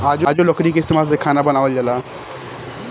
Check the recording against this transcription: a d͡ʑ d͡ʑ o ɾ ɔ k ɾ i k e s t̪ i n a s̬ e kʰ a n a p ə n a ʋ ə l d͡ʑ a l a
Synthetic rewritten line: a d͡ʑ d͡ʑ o l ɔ k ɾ i k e s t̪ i m a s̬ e kʰ a n a b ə n a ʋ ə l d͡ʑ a l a

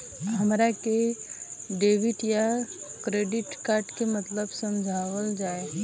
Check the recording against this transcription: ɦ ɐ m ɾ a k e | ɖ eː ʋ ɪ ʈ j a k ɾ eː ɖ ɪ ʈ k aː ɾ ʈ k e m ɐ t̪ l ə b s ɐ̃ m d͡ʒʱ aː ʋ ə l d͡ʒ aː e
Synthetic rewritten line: ɦ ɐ m ɾ a k e | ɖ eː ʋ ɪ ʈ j a k ɾ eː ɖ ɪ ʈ k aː ɾ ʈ k e m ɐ t̪ l ə b s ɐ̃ m d͡ʒʱ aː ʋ ə l d͡ʒ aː e

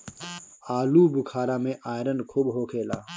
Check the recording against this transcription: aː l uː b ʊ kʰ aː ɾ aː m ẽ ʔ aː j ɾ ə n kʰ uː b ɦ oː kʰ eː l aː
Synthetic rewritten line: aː l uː b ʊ kʰ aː ɾ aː m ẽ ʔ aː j ɾ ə n kʰ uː b ɦ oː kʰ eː l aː

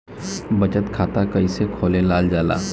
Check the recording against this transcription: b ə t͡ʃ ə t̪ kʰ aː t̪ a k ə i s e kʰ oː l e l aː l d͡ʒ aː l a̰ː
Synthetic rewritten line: b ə t͡ʃ ə t̪ kʰ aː t̪ a k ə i s e kʰ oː l e l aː l d͡ʒ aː l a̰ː

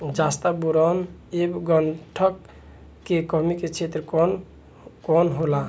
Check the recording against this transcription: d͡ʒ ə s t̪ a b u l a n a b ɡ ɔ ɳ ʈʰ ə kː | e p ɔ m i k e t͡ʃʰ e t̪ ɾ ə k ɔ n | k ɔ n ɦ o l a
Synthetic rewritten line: d͡ʒ a s t̪ a b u ɾ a n e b ɡ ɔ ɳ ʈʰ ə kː | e k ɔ m i k e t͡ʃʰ e t̪ ɾ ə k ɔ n | k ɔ n ɦ o l a

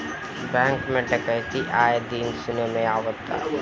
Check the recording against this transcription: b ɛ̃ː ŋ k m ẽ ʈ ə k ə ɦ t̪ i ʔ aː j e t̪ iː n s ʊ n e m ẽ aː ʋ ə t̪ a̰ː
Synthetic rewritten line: b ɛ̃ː ŋ k m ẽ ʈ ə k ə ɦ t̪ i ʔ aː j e d̪ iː n s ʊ n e m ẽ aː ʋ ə t̪ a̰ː

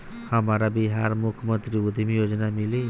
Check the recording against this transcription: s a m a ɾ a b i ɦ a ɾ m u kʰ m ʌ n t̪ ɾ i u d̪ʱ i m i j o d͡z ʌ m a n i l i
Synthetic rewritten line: s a m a ɾ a b i ɦ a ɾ m u kʰ m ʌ n t̪ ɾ i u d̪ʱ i m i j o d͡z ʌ n a m i l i

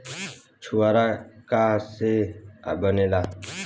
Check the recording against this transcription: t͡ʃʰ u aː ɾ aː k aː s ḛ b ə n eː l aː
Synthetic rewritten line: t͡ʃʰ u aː ɾ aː k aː s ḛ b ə n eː l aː

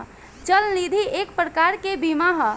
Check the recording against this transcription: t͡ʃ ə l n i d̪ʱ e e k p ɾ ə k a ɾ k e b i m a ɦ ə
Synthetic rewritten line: t͡ʃ ə l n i d̪ʱ i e k p ɾ ə k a ɾ k e b i m a ɦ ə

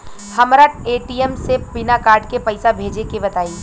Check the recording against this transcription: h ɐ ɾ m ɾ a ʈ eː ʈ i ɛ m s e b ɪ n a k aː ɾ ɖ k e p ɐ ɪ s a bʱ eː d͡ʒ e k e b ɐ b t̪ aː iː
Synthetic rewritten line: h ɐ m ɾ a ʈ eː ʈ i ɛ m s e b ɪ n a k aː ɾ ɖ k e p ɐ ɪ s a bʱ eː d͡ʒ e k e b ɐ t̪ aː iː

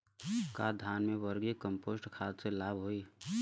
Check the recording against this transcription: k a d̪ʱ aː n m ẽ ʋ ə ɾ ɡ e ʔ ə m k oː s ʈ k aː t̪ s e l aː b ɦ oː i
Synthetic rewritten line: k a d̪ʱ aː n m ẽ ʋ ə ɾ ɡ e k ə m p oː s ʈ kʰ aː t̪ s e l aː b ɦ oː i

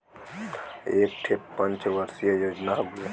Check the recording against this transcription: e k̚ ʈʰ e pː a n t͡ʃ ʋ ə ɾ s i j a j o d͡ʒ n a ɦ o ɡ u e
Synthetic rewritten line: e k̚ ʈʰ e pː ə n t͡ʃ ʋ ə ɾ s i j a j o d͡ʒ n a ɦ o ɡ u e

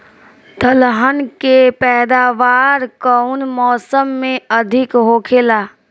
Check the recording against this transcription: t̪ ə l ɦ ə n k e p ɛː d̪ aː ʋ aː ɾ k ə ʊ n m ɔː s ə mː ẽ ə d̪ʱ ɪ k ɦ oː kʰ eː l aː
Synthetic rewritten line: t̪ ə l ɦ ə n k e p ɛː d̪ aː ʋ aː ɾ k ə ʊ n m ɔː s ə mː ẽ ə d̪ʱ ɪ k ɦ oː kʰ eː l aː

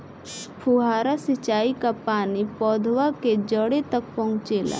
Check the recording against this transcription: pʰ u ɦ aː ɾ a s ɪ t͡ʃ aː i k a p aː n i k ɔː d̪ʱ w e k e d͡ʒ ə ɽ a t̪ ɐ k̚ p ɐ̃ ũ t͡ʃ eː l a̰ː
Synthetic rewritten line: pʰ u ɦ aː ɾ a s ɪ t͡ʃ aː i k a p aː n i p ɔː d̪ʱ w a k e d͡ʒ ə ɽ e t̪ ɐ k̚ p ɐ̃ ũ t͡ʃ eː l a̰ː

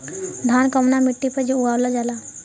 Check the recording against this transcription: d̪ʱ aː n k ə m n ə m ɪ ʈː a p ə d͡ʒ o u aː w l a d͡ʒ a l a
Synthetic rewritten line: d̪ʱ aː n k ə m n a m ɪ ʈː i p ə d͡ʒ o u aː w l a d͡ʒ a l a

